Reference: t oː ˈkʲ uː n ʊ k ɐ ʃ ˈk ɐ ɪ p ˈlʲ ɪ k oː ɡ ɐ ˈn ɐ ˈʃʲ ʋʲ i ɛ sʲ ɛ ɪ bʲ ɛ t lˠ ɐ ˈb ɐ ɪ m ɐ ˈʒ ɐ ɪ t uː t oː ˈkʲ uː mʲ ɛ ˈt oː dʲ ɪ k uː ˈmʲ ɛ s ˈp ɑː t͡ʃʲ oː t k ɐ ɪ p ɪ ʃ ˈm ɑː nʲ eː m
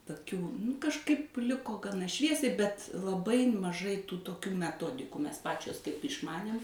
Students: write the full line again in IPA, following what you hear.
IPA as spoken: t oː ˈkʲ uː n ʊ k ɐ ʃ ˈk ɐ ɪ p ˈlʲ ɪ k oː ɡ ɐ ˈn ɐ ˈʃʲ ʋʲ i ɛ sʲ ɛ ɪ bʲ ɛ t lˠ ɐ ˈb ɐ ɪ m ɐ ˈʒ ɐ ɪ t uː t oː ˈkʲ uː mʲ ɛ ˈt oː dʲ ɪ k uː ˈmʲ ɛ s ˈp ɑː t͡ʃʲ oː s k ɐ ɪ p ɪ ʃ ˈm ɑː nʲ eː m

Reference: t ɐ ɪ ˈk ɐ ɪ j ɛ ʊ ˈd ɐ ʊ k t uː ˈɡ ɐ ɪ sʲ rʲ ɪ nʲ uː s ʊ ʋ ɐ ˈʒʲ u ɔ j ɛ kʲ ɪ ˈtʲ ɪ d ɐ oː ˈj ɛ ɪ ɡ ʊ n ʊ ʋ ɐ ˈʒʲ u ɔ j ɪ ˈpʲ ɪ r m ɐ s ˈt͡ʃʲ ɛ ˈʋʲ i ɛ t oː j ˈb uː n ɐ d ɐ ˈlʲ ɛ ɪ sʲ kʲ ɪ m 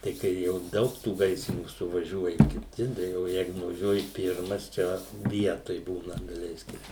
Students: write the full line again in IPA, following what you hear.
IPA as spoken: t ɐ ɪ ˈk ɐ ɪ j ɛ ʊ ˈd ɐ ʊ k t uː ˈɡ ɐ ɪ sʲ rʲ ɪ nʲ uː s ʊ ʋ ɐ ˈʒʲ u ɔ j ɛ kʲ ɪ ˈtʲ ɪ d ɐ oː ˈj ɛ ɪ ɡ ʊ n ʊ ʋ ɐ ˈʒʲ u ɔ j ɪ ˈpʲ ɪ r m ɐ s ˈt͡ʃʲ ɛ ˈʋʲ i ɛ t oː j ˈb uː n ɐ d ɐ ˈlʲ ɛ ɪ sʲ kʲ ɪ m

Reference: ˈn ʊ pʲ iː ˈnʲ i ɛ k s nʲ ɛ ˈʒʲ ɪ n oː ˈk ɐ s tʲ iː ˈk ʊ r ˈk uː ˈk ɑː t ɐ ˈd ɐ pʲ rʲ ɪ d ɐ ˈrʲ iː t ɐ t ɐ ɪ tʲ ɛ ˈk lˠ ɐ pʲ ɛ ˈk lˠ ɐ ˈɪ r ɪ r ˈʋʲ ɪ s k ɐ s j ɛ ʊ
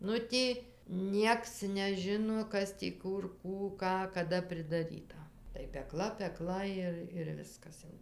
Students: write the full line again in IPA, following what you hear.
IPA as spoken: ˈn ʊ tʲ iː ˈnʲ i ɛ k s nʲ ɛ ˈʒʲ ɪ n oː ˈk ɐ s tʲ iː ˈk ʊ r ˈk uː ˈk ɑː k ɐ ˈd ɐ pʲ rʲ ɪ d ɐ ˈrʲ iː t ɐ t ɐ ɪ pʲ ɛ ˈk lˠ ɐ pʲ ɛ ˈk lˠ ɐ ˈɪ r ɪ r ˈʋʲ ɪ s k ɐ s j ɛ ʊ

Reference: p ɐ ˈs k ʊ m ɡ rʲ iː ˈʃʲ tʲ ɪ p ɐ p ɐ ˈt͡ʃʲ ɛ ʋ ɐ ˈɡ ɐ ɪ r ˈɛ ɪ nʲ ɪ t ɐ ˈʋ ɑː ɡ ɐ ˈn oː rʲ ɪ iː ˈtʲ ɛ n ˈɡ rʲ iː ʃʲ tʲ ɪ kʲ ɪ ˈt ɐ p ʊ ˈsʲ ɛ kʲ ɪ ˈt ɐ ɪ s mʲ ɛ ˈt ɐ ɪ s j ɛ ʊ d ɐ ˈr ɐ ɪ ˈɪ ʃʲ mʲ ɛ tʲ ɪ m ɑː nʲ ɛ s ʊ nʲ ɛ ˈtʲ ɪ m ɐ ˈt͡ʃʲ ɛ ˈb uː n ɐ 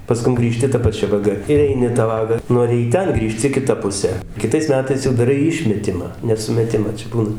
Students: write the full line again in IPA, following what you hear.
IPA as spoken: p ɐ ˈs k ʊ m ɡ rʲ iː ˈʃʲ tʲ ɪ t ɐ p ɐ ˈt͡ʃʲ ɛ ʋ ɐ ˈɡ ɐ ɪ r ˈɛ ɪ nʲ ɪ t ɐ ˈʋ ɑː ɡ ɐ ˈn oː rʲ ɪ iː ˈtʲ ɛ n ˈɡ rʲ iː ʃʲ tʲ ɪ kʲ ɪ ˈt ɐ p ʊ ˈsʲ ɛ kʲ ɪ ˈt ɐ ɪ s mʲ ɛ ˈt ɐ ɪ s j ɛ ʊ d ɐ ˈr ɐ ɪ ˈɪ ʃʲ mʲ ɛ tʲ ɪ m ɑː nʲ ɛ s ʊ mʲ ɛ ˈtʲ ɪ m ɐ ˈt͡ʃʲ ɛ ˈb uː n ɐ

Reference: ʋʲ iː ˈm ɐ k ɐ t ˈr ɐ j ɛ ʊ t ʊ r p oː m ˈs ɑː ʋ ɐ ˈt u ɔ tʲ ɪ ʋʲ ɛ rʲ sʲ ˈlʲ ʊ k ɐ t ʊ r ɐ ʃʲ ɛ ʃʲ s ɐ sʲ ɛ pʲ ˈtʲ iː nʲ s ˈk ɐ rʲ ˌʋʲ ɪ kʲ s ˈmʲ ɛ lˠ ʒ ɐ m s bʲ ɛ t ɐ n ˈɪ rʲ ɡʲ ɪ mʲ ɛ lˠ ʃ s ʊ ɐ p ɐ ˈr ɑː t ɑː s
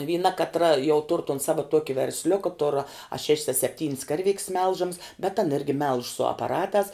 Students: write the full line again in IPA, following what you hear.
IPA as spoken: ʋʲ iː ˈn ɐ k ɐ t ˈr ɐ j ɛ ʊ t ʊ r t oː n ˈs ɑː ʋ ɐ ˈt u ɔ kʲ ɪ ʋʲ ɛ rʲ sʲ ˈlʲ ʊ k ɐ t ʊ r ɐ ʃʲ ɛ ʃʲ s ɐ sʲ ɛ pʲ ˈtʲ iː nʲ s ˈk ɐ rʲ ˌʋʲ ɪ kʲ s ˈmʲ ɛ lˠ ʒ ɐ m s bʲ ɛ t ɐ n ˈɪ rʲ ɡʲ ɪ mʲ ɛ lˠ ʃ s ʊ ɐ p ɐ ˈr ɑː t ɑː s

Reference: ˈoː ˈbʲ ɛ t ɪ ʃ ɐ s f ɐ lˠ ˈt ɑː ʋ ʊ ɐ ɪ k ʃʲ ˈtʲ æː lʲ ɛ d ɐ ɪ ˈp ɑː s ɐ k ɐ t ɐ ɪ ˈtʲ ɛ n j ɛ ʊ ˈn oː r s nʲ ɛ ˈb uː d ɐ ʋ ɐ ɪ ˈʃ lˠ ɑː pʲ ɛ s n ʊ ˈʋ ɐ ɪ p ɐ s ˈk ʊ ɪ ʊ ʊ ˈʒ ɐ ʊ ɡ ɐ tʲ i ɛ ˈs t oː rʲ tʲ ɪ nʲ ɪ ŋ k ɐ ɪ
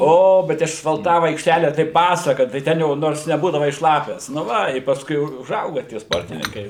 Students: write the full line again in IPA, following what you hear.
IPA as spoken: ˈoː ˈbʲ ɛ t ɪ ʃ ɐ s f ɐ lˠ ˈt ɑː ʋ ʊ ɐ ɪ k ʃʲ ˈtʲ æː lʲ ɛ t ɐ ɪ ˈp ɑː s ɐ k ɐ t ɐ ɪ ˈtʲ ɛ n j ɛ ʊ ˈn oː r s nʲ ɛ ˈb uː d ɐ ʋ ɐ ɪ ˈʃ lˠ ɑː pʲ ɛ s n ʊ ˈʋ ɐ ɪ p ɐ s ˈk ʊ ɪ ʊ ʊ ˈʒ ɐ ʊ ɡ ɐ tʲ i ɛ ˈs p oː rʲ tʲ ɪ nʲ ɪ ŋ k ɐ ɪ

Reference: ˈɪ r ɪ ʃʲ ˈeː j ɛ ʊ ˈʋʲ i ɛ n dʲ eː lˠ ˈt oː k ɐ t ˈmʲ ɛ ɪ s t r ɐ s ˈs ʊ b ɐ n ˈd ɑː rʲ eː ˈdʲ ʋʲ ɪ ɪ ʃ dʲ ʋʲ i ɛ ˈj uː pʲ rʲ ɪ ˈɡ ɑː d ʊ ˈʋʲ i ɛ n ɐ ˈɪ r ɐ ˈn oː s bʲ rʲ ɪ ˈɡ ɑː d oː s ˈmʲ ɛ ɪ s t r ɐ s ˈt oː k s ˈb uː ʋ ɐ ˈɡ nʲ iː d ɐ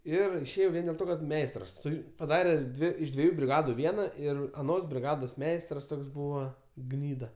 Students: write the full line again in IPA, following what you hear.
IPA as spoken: ˈɪ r ɪ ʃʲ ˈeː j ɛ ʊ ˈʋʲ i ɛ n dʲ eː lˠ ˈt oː k ɐ t ˈmʲ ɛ ɪ s t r ɐ s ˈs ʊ p ɐ ˈd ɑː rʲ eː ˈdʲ ʋʲ ɪ ɪ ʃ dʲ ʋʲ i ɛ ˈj uː bʲ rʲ ɪ ˈɡ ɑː d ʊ ˈʋʲ i ɛ n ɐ ˈɪ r ɐ ˈn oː s bʲ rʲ ɪ ˈɡ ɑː d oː s ˈmʲ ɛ ɪ s t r ɐ s ˈt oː k s ˈb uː ʋ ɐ ˈɡ nʲ iː d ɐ

